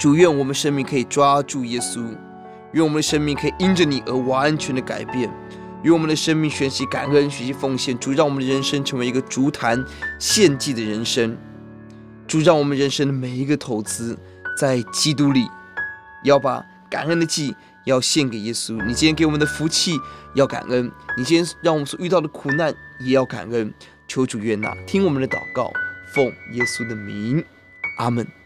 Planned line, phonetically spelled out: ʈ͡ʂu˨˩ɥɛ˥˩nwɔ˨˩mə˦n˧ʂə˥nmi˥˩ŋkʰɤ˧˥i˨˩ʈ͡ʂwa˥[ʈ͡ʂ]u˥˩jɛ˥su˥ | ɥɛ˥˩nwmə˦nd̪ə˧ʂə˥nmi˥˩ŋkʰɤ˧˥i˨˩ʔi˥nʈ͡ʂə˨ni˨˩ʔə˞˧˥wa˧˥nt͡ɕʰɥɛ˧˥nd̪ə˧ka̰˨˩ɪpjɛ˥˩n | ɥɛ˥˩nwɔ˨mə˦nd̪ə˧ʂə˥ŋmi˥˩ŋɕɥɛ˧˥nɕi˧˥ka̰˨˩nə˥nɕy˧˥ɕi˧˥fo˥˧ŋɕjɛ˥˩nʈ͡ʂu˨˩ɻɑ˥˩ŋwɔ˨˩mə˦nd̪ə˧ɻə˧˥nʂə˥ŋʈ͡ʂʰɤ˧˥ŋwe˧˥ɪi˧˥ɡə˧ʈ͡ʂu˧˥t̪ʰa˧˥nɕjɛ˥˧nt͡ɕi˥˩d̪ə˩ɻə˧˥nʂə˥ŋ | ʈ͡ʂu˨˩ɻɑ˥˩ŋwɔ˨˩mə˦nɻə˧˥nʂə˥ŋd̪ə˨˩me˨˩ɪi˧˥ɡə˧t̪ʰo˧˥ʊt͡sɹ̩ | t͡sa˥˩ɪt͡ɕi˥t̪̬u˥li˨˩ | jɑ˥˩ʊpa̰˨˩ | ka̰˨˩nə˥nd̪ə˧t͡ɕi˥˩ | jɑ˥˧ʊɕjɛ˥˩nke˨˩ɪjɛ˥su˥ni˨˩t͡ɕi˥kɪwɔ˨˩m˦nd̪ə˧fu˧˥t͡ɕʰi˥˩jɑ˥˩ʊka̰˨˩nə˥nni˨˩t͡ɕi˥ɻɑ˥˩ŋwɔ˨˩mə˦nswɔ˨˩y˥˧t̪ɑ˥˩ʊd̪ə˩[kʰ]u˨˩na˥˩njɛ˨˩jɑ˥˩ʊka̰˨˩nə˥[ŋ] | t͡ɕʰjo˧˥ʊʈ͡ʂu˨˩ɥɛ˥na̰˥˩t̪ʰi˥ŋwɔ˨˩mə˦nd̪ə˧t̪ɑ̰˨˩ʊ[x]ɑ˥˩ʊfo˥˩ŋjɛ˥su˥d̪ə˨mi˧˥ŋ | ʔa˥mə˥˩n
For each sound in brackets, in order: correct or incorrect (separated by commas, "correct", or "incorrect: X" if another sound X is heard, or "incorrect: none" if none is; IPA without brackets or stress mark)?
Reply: correct, correct, incorrect: n, incorrect: k